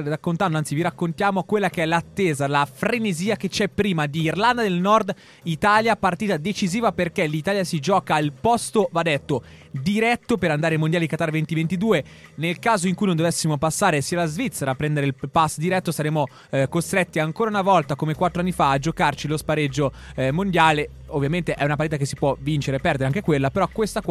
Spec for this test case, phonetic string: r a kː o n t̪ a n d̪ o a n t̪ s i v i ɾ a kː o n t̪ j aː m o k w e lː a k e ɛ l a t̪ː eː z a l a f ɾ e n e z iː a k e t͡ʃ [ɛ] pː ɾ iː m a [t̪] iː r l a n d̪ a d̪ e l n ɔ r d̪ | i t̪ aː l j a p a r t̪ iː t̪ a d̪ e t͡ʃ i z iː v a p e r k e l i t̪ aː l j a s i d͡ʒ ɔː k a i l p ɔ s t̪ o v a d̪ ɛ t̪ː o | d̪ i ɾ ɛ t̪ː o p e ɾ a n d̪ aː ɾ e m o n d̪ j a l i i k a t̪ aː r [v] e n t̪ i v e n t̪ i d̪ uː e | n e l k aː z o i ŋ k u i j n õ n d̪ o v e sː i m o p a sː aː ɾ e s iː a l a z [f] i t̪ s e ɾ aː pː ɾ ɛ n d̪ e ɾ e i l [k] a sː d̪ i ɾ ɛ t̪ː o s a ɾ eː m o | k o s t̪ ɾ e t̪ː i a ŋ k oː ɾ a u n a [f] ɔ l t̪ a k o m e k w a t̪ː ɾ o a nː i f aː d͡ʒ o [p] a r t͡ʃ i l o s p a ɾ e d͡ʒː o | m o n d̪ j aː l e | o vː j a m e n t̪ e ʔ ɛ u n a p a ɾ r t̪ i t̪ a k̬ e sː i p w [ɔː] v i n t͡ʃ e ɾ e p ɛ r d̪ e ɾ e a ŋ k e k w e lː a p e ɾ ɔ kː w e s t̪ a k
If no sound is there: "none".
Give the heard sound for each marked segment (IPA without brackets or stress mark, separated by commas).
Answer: ɛ, d̪, v, v, p, v, k, ɔ